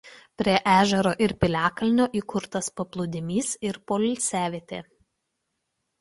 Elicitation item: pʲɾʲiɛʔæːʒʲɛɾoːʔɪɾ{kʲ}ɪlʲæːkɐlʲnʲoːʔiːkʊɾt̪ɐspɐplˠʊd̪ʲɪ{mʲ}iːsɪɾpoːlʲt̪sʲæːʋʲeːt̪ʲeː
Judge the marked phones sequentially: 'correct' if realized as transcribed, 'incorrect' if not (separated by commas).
incorrect, correct